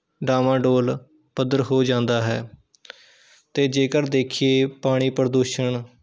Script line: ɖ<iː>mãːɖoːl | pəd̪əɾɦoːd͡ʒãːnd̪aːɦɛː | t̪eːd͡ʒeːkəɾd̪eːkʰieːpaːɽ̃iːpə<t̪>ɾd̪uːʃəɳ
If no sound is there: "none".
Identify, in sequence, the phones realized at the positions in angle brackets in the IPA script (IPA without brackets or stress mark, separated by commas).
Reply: aː, none